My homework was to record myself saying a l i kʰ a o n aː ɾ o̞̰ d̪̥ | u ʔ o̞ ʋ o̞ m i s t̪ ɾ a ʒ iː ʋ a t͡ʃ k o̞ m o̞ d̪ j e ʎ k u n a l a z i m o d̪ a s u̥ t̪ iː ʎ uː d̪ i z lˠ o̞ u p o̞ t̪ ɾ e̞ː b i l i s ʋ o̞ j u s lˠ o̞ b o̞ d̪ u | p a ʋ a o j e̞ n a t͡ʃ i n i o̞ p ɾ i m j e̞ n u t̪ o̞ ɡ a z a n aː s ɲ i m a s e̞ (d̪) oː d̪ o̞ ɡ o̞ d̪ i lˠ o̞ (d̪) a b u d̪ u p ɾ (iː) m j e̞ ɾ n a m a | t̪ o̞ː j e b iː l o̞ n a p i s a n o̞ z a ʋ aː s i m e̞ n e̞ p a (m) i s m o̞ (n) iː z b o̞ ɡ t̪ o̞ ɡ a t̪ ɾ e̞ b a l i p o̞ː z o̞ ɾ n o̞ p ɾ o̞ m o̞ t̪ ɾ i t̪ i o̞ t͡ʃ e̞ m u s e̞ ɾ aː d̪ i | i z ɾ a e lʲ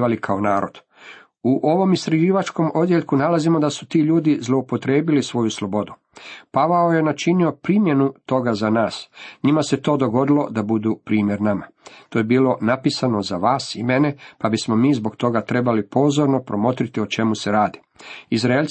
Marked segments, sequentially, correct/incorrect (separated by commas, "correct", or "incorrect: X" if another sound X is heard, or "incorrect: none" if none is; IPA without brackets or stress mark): incorrect: t̪, correct, correct, incorrect: b, incorrect: m